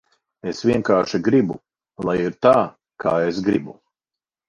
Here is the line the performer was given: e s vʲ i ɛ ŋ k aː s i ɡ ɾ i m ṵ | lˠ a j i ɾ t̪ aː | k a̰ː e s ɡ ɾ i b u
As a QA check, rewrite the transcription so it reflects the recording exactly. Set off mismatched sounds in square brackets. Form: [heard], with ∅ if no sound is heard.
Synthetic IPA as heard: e s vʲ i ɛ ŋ k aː [ʃ] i ɡ ɾ i [b] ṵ | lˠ a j i ɾ t̪ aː | k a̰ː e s ɡ ɾ i b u

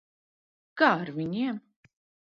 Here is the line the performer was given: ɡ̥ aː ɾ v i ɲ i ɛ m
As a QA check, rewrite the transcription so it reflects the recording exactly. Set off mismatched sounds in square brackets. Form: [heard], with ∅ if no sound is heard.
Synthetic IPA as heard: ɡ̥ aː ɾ v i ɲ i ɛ m

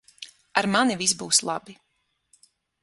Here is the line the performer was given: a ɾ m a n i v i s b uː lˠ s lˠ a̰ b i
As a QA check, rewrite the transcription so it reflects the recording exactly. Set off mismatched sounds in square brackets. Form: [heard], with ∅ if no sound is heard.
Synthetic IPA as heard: a ɾ m a n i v i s b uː [∅] s lˠ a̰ b i

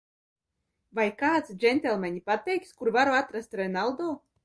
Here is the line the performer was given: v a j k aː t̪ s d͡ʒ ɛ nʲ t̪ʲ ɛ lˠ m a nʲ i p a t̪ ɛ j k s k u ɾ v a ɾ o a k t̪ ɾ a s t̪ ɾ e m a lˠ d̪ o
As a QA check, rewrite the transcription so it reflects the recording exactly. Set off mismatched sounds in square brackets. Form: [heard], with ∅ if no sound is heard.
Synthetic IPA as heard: v a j k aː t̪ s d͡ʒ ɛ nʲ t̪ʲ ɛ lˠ m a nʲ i p a t̪ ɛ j k s k u ɾ v a ɾ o a [∅] t̪ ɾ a s t̪ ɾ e [n] a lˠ d̪ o

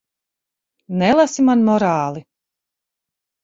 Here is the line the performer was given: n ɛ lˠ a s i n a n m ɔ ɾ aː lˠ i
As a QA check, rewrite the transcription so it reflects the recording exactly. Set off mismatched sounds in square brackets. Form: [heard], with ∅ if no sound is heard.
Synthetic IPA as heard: n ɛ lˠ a s i [m] a n m ɔ ɾ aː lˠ i

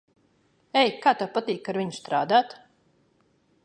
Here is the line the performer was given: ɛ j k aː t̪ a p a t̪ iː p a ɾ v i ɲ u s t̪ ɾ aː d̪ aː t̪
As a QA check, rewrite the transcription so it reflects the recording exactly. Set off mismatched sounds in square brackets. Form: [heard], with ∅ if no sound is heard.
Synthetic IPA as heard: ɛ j k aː t̪ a p a t̪ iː [k] a ɾ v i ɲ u s t̪ ɾ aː d̪ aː t̪

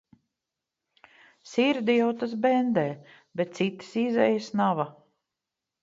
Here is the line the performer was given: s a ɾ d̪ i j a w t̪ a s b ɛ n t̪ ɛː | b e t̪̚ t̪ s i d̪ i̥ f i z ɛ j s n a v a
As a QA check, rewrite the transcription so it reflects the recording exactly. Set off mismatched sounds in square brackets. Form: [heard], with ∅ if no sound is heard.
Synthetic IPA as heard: s [i] ɾ d̪ i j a w t̪ a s b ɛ n [d̪] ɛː | b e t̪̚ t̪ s i [t̪] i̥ [s] i z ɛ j s n a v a

